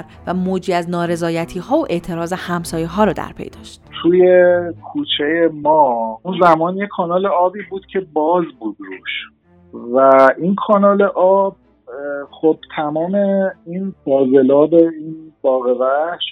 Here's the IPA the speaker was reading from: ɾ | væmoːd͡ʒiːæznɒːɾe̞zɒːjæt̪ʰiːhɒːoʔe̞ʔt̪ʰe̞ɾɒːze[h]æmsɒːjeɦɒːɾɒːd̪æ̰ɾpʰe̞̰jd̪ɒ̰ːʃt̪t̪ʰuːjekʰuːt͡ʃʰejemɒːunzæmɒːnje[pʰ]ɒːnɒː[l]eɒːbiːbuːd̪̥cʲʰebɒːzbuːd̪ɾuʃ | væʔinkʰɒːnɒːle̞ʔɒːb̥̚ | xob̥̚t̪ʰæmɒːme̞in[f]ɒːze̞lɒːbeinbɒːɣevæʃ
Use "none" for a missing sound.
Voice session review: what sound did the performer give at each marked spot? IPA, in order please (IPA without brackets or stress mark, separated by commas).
h, kʰ, l, f